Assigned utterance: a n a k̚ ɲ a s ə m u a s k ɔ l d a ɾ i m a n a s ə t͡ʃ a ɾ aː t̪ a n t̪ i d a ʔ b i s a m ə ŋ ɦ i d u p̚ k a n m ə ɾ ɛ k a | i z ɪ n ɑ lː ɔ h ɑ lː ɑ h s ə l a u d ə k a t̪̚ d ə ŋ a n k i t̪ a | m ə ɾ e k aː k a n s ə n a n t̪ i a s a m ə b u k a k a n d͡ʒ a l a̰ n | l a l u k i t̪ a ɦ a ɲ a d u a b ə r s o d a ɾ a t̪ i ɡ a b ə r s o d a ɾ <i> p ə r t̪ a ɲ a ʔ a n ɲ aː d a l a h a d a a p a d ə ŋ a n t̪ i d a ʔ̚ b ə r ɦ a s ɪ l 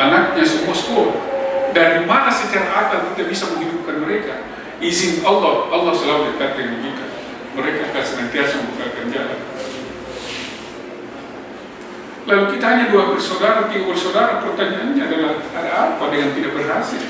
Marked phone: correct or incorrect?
incorrect: a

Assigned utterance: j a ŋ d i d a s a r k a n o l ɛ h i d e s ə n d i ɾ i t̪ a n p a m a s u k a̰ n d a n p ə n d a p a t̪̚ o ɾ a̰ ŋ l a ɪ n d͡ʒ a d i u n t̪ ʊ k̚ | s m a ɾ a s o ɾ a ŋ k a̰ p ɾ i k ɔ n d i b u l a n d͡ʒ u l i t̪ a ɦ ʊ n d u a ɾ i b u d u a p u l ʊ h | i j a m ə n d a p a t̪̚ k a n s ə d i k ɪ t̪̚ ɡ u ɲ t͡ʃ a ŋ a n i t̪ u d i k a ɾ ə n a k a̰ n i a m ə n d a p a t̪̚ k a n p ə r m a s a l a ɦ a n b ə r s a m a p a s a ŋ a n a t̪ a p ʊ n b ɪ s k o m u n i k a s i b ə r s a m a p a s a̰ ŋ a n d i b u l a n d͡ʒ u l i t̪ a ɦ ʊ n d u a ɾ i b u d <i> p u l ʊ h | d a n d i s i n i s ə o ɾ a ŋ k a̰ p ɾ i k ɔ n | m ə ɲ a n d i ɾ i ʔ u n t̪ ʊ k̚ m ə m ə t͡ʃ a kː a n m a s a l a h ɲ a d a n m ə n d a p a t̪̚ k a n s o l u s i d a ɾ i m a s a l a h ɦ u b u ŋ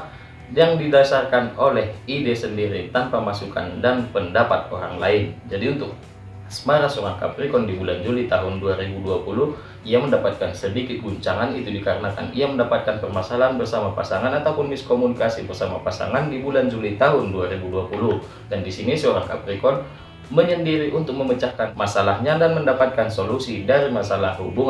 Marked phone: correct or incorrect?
incorrect: a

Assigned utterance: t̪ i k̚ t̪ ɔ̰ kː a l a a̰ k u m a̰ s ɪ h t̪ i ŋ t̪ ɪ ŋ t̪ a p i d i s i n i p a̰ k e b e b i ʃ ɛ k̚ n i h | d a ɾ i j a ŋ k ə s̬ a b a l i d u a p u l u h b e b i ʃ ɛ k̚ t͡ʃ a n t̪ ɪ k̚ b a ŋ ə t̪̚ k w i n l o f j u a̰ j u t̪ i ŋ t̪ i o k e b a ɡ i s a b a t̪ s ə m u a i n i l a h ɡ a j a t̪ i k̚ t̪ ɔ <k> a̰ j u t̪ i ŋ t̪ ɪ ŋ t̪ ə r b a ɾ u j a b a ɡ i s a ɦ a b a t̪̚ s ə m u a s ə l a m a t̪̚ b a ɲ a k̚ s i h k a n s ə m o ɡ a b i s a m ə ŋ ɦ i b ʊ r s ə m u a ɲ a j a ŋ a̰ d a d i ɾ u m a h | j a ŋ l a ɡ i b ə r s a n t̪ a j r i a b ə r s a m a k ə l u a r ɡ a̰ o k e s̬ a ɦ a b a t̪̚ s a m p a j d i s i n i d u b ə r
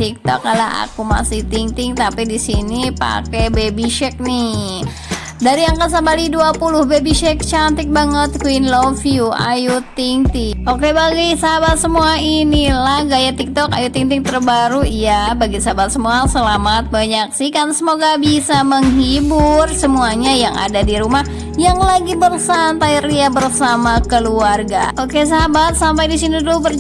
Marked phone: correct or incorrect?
correct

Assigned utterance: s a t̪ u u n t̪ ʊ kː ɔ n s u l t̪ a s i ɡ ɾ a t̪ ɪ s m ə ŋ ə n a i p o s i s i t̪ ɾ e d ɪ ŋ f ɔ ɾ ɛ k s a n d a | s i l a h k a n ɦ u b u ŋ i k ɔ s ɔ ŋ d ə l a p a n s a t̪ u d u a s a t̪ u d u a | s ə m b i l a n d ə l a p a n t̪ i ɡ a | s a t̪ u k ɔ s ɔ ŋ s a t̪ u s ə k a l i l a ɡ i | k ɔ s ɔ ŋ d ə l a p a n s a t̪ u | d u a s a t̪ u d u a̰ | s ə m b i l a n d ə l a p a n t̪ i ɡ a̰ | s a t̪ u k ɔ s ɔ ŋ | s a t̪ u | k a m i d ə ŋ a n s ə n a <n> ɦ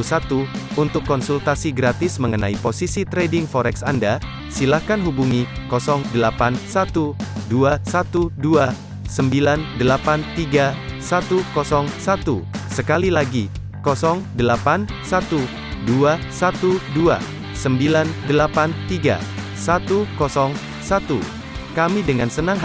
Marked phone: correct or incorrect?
incorrect: ŋ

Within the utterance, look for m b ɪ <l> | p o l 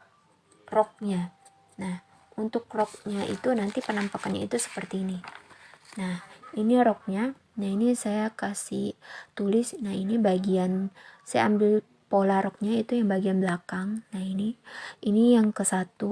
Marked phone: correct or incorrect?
correct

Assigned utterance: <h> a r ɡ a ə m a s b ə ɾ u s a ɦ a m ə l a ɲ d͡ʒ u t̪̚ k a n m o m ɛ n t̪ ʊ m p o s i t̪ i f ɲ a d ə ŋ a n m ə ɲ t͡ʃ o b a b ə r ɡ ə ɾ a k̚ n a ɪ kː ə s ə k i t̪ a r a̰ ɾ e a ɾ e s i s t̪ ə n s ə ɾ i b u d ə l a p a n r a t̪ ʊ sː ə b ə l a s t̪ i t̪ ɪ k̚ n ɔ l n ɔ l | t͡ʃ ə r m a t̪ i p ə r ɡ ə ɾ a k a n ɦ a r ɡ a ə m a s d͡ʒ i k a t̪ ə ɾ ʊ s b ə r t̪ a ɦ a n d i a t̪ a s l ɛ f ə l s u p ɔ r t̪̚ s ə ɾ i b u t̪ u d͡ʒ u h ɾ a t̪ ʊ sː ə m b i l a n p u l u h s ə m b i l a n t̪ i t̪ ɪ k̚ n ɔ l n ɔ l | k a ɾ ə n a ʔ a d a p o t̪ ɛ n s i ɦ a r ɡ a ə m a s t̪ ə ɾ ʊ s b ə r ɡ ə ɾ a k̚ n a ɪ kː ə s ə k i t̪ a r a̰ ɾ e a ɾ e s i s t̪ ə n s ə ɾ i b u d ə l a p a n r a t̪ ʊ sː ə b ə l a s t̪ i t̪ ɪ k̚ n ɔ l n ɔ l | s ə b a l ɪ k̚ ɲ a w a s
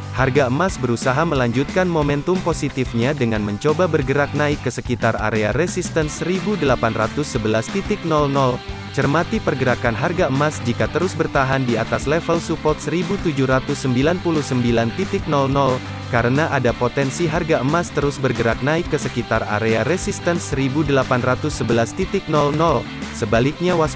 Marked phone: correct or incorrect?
correct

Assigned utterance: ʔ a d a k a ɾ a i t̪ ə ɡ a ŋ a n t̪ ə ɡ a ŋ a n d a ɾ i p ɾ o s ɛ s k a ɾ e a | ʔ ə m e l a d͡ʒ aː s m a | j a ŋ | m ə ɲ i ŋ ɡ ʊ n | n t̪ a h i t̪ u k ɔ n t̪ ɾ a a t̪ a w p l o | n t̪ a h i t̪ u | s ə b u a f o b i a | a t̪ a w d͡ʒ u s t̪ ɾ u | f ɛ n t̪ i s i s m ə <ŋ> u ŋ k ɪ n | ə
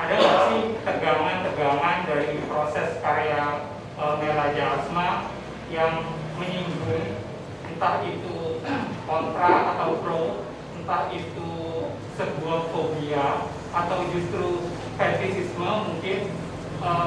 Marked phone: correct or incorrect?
incorrect: m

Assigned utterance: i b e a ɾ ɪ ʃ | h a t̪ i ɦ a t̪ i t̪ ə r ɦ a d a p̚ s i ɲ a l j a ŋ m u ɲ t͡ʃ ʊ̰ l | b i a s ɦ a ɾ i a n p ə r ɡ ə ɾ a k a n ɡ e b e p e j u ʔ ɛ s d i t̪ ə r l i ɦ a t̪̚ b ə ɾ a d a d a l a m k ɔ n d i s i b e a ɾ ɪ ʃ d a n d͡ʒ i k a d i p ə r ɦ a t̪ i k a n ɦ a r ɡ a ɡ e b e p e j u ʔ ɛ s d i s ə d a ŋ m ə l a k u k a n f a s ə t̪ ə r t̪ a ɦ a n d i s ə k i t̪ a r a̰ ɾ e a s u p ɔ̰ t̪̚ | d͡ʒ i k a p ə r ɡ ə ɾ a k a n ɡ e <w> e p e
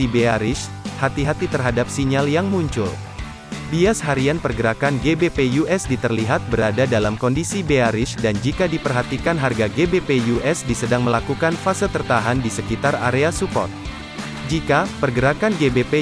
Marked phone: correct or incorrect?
incorrect: b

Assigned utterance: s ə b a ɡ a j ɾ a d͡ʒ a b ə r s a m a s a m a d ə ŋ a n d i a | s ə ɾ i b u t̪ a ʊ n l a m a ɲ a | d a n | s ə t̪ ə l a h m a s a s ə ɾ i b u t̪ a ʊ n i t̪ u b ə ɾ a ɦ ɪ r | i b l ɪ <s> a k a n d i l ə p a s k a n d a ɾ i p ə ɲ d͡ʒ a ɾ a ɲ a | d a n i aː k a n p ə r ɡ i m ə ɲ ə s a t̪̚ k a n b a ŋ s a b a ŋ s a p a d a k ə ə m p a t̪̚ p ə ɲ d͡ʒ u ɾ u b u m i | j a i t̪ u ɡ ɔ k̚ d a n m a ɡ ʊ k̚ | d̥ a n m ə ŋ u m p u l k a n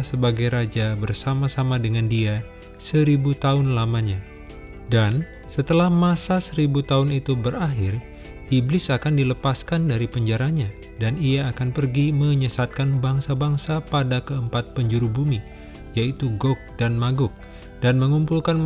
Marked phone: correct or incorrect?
correct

